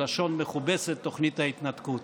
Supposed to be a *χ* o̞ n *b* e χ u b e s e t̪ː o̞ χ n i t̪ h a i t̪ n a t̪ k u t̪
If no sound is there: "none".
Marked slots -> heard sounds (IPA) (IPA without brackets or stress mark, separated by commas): ʃ, m